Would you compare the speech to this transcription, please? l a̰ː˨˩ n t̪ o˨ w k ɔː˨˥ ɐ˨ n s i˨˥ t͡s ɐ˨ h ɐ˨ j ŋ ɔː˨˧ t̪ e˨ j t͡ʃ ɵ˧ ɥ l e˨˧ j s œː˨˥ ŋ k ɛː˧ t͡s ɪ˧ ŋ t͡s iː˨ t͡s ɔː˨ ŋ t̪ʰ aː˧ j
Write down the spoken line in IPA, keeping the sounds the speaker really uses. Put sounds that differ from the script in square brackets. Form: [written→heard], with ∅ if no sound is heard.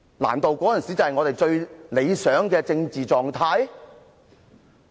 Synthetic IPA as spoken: l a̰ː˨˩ n t̪ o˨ w k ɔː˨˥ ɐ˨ n s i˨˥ t͡s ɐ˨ h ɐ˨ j ŋ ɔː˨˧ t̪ e˨ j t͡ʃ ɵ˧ ɥ l e˨˧ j s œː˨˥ ŋ k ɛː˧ t͡s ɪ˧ ŋ t͡s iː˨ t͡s ɔː˨ ŋ t̪ʰ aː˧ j